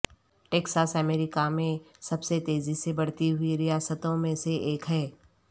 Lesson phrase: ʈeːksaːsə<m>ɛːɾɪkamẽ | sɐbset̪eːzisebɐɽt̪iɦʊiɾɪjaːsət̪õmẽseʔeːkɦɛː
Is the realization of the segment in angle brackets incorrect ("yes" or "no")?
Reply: no